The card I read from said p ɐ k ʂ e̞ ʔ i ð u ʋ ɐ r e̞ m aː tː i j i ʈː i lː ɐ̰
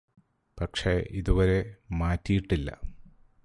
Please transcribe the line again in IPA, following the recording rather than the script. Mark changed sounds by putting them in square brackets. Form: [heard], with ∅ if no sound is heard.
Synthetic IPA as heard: p ɐ k ʂ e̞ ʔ i ð u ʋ ɐ [ɾ] e̞ m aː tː i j i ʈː i lː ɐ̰